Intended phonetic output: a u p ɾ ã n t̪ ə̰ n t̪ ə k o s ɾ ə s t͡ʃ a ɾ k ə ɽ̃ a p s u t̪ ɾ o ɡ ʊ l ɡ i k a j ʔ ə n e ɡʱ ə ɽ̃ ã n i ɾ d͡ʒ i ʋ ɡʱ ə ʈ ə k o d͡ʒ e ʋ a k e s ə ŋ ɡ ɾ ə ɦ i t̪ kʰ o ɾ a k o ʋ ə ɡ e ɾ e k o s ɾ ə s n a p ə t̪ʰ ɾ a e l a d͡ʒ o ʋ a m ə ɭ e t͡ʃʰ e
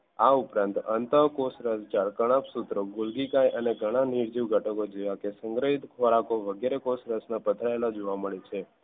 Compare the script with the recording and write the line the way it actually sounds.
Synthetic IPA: a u p ɾ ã n t̪ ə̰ n t̪ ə k o s ɾ ə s t͡ʃ a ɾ k ə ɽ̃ a p s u t̪ ɾ o ɡ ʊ l ɡ i k a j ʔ ə n e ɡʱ ə ɽ̃ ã n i ɾ d͡ʒ i ʋ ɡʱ ə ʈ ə k o d͡ʒ e ʋ a k e s ə ŋ ɡ ɾ ə ɦ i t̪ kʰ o ɾ a k o ʋ ə ɡ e ɾ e k o s ɾ ə s n a p ə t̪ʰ ɾ a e l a d͡ʒ o ʋ a m ə ɭ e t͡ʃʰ e